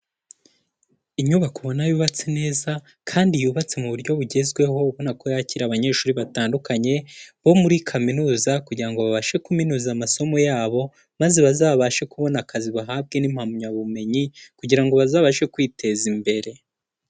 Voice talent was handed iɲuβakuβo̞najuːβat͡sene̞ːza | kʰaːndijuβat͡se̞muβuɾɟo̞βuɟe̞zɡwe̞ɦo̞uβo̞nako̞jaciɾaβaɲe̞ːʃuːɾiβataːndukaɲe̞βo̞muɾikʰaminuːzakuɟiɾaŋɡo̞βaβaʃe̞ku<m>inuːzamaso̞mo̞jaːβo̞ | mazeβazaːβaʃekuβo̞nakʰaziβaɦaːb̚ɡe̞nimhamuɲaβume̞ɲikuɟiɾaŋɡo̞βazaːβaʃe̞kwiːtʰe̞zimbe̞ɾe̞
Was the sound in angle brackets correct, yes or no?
yes